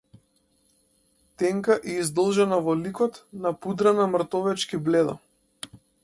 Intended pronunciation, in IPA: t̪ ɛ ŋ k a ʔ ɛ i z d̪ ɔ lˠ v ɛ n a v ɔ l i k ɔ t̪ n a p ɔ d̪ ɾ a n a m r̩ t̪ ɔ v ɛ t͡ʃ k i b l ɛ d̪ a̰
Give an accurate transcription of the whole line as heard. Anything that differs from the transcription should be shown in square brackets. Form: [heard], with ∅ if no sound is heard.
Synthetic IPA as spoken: t̪ ɛ ŋ k a ʔ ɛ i z d̪ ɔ lˠ [ʒ] ɛ n a v ɔ l i k ɔ t̪ n a p [u] d̪ ɾ a n a m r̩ t̪ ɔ v ɛ t͡ʃ k i b l ɛ d̪ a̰